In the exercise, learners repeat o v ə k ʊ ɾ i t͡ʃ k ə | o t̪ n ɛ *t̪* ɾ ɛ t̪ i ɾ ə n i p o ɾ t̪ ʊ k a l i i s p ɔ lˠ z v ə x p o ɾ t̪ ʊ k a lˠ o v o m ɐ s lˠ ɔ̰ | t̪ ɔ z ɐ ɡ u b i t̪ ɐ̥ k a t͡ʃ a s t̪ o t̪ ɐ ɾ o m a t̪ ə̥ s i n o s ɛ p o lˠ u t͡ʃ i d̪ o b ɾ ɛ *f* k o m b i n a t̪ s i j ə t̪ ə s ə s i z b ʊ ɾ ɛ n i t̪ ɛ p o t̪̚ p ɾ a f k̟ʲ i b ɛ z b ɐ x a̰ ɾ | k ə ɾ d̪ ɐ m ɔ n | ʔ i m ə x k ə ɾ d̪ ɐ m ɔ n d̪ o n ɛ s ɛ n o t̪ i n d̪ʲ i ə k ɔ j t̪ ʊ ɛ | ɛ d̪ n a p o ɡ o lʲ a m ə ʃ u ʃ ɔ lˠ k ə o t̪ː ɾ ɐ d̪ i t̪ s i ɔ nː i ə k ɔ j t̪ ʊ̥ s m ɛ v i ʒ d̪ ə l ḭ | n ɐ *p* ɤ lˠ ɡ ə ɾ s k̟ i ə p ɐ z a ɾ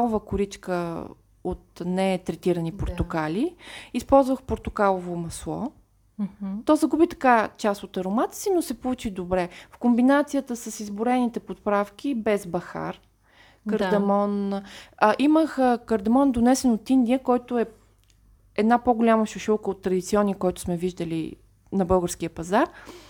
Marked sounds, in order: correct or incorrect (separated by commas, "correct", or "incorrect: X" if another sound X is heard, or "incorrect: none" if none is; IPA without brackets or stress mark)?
correct, correct, incorrect: b